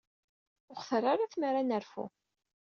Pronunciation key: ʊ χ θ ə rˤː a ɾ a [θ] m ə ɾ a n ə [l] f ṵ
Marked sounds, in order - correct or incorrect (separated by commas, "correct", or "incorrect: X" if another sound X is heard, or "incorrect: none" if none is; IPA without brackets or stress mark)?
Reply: correct, incorrect: ɾ